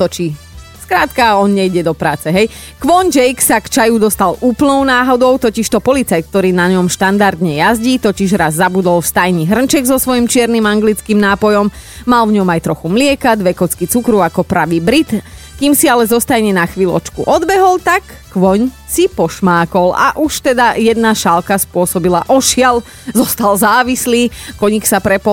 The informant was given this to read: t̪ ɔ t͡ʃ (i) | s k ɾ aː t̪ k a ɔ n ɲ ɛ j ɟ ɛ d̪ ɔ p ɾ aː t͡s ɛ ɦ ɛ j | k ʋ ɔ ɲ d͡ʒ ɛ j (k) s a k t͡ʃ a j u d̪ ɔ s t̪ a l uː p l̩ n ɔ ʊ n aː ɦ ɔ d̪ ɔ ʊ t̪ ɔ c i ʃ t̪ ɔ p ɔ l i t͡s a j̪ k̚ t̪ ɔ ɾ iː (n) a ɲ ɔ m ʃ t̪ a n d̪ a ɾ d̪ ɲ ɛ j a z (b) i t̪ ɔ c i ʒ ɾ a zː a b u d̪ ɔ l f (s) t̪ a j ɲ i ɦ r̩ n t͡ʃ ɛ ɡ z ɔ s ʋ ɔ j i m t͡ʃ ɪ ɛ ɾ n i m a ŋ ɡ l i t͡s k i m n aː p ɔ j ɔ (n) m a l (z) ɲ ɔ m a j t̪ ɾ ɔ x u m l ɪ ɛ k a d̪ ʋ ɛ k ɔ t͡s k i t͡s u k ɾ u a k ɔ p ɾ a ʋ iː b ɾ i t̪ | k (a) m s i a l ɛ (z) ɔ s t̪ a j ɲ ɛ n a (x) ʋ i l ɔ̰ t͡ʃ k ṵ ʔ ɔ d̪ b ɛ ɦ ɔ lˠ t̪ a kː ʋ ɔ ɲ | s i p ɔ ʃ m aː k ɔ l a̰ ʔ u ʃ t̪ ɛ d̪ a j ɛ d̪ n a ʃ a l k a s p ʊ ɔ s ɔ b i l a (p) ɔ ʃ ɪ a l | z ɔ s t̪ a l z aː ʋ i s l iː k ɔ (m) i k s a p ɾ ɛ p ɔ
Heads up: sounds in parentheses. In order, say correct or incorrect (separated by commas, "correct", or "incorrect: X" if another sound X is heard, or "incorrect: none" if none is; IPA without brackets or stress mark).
correct, correct, correct, incorrect: ɟ, correct, incorrect: m, incorrect: v, incorrect: i, correct, correct, incorrect: ʔ, incorrect: ɲ